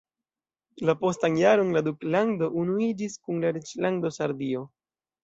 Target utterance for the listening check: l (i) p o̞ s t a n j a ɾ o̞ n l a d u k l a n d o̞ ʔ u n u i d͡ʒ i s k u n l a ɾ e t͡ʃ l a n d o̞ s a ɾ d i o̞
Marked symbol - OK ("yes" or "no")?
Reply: no